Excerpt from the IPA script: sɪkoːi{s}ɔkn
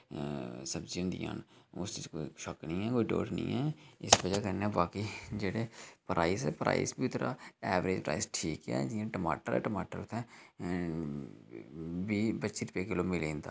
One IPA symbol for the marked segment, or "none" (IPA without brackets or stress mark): ʃ